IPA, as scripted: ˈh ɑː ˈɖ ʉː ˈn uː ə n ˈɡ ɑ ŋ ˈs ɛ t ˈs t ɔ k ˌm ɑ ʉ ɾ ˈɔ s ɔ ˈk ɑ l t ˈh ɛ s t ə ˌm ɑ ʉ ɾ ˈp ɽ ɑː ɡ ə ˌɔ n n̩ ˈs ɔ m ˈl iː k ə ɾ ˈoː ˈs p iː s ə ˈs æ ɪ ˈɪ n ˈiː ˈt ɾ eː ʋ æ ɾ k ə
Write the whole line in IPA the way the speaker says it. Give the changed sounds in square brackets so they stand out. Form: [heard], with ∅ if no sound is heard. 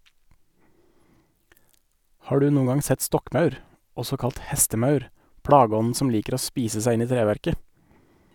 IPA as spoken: ˈh ɑː ˈɖ ʉː ˈn uː ə [ŋ] ˈɡ ɑ ŋ ˈs ɛ t ˈs t ɔ k ˌm ɑ ʉ ɾ ˈɔ s ɔ ˈk ɑ l t ˈh ɛ s t ə ˌm ɑ ʉ ɾ ˈp ɽ ɑː ɡ ə ˌɔ n n̩ ˈs ɔ m ˈl iː k ə ɾ ˈoː ˈs p iː s ə ˈs æ ɪ ˈɪ n ˈiː ˈt ɾ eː ʋ æ ɾ k ə